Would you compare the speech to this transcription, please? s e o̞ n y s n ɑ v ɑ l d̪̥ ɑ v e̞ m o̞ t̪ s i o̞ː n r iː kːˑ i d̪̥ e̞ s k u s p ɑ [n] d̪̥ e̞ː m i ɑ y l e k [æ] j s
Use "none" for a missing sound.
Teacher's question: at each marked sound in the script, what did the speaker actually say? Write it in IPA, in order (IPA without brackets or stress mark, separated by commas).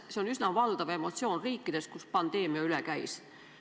n, æ